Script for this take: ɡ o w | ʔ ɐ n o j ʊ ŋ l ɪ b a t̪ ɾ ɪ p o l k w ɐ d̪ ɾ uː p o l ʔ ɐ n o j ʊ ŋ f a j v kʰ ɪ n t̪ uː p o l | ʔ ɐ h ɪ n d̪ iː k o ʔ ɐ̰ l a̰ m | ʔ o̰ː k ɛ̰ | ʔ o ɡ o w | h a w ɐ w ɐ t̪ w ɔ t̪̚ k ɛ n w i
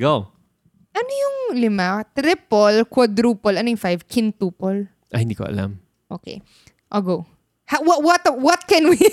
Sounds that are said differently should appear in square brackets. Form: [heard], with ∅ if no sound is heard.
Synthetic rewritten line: ɡ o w | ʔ ɐ n o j ʊ ŋ l ɪ [m] a t̪ ɾ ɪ p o l k w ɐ d̪ ɾ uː p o l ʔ ɐ n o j ʊ ŋ f a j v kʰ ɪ n t̪ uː p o l | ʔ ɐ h ɪ n d̪ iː k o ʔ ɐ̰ l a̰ m | ʔ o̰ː k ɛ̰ | ʔ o ɡ o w | h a w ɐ w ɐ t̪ w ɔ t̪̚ k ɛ n w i